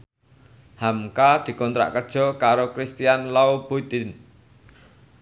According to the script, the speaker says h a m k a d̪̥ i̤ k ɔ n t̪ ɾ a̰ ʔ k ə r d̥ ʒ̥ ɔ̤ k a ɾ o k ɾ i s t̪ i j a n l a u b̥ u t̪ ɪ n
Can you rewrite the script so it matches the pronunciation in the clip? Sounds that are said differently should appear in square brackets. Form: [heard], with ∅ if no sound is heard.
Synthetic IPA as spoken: h a m k a d̪̥ i̤ k ɔ n t̪ ɾ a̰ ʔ k ə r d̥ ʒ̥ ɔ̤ k a ɾ o k ɾ i s t̪ i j a n l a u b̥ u t̪ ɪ n